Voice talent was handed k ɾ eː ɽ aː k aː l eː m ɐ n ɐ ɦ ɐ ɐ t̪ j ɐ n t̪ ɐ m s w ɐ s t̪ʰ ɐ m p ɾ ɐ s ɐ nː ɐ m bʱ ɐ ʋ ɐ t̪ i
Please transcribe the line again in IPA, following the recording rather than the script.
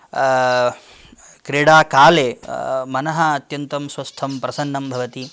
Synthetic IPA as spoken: k ɾ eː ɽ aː k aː l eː m ɐ n ɐ ɦ ɐ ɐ t̪ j ɐ n t̪ ɐ m s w ɐ s t̪ʰ ɐ m p ɾ ɐ s ɐ nː ɐ m bʱ ɐ ʋ ɐ t̪ i